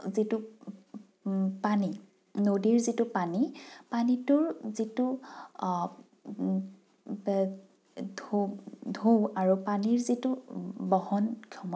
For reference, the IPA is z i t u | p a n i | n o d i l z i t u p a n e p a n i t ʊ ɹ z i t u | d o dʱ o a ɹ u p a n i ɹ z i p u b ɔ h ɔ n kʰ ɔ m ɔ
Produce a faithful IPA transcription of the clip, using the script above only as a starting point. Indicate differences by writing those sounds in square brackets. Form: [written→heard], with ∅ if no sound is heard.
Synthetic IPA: z i t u | p a n i | n o d i [l→ɹ] z i t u p a n [e→i] p a n i t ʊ ɹ z i t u | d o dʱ o a ɹ u p a n i ɹ z i [p→t] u b ɔ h ɔ n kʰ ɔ m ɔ

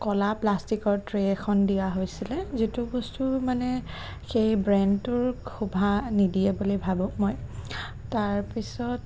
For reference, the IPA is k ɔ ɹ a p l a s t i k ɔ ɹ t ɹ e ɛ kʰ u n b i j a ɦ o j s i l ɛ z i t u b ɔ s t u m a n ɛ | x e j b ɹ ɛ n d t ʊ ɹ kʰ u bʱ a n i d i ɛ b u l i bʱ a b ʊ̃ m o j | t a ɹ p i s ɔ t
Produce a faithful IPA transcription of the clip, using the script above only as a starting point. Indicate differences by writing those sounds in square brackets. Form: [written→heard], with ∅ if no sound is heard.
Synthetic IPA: k ɔ [ɹ→l] a p l a s t i k ɔ ɹ t ɹ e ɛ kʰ [u→ɔ] n [b→d] i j a ɦ o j s i l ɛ z i t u b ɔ s t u m a n ɛ | x e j b ɹ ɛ n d t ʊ ɹ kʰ u bʱ a n i d i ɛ b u l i bʱ a b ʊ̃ m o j | t a ɹ p i s ɔ t

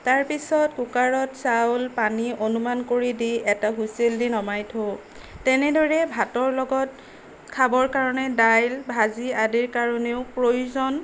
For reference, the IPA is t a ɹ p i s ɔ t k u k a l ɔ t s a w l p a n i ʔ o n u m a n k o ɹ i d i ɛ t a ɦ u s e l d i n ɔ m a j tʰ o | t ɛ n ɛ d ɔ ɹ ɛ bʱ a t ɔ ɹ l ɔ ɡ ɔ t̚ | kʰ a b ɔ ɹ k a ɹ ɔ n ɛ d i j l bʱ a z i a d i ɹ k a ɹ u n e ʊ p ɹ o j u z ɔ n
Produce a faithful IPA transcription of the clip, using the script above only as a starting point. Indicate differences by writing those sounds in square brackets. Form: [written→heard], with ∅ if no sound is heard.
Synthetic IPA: t a ɹ p i s ɔ t k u k a [l→ɹ] ɔ t s a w l p a n i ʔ o n u m a n k o ɹ i d i ɛ t a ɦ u s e l d i n ɔ m a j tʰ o | t ɛ n ɛ d ɔ ɹ ɛ bʱ a t ɔ ɹ l ɔ ɡ ɔ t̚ | kʰ a b ɔ ɹ k a ɹ ɔ n ɛ d [i→a] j l bʱ a z i a d i ɹ k a ɹ [u→ɔ] n e ʊ p ɹ o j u z ɔ n

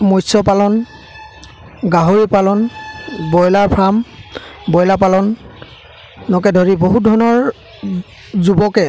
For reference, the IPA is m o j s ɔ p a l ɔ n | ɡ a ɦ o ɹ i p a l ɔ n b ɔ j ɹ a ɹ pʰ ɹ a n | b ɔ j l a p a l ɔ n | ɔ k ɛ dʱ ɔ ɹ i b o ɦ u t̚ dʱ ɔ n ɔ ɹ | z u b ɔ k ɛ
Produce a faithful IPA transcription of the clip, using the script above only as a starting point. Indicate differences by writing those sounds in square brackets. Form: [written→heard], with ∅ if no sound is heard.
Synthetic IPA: m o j s ɔ p a l ɔ n | ɡ a ɦ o ɹ i p a l ɔ n b ɔ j [ɹ→l] a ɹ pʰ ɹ a [n→m] | b ɔ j l a p a l ɔ n | ɔ k ɛ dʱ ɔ ɹ i b o ɦ u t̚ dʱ ɔ n ɔ ɹ | z u b ɔ k ɛ

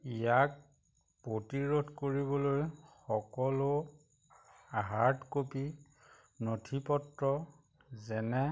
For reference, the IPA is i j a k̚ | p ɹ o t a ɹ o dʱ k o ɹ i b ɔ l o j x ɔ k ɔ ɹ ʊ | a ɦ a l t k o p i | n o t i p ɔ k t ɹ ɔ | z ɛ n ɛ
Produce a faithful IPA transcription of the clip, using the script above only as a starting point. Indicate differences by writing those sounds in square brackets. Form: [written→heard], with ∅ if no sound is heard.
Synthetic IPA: i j a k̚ | p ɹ o t [a→i] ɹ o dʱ k o ɹ i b ɔ l o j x ɔ k ɔ [ɹ→l] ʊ | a ɦ a [l→ɹ] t k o p i | n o [t→tʰ] i p ɔ [k→∅] t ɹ ɔ | z ɛ n ɛ

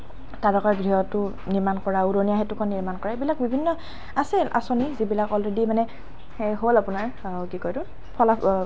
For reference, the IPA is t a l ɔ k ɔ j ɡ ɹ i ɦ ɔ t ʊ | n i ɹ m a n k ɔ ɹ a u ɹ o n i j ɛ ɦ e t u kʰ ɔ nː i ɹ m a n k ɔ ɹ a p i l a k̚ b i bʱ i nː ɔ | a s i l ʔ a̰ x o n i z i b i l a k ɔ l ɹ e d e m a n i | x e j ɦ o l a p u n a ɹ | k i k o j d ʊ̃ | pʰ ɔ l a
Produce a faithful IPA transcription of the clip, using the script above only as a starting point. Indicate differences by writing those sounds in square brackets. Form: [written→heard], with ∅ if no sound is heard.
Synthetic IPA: t a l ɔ k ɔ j ɡ ɹ i ɦ ɔ t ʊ | n i ɹ m a n k ɔ ɹ a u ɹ o n i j [ɛ→a] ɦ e t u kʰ ɔ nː i ɹ m a n k ɔ ɹ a [p→b] i l a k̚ b i bʱ i nː ɔ | a s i l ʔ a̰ [x→s] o n i z i b i l a k ɔ l ɹ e d [e→i] m a n [i→ɛ] | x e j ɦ o l a p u n a ɹ | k i k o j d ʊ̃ | pʰ ɔ l a

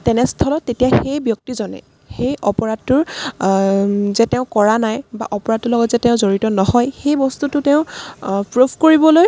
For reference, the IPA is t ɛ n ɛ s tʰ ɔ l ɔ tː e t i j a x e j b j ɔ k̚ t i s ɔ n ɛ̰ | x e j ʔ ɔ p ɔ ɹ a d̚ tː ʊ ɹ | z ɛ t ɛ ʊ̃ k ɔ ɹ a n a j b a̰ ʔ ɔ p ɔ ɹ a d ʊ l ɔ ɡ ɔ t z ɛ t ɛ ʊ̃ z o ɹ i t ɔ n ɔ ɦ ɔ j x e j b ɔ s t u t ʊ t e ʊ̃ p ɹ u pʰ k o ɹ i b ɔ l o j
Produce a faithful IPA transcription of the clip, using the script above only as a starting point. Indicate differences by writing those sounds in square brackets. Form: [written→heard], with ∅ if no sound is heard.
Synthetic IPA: t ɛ n ɛ s tʰ ɔ l ɔ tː e t i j a x e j b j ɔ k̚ t i [s→z] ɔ n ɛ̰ | x e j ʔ ɔ p ɔ ɹ a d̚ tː ʊ ɹ | z ɛ t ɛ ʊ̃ k ɔ ɹ a n a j b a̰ ʔ ɔ p ɔ ɹ a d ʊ l ɔ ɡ ɔ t z ɛ t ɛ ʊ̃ z o ɹ i t ɔ n ɔ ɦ ɔ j x e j b ɔ s t u t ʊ t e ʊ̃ p ɹ u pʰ k o ɹ i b ɔ l o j

